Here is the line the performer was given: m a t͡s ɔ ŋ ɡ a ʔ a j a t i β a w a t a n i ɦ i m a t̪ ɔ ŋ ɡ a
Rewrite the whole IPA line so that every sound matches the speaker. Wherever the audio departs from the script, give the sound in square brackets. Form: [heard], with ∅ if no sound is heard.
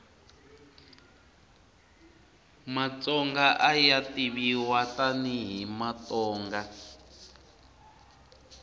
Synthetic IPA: m a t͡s ɔ ŋ ɡ a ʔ a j a t i β [i] w a t a n i ɦ i m a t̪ [ɔː] ŋ ɡ a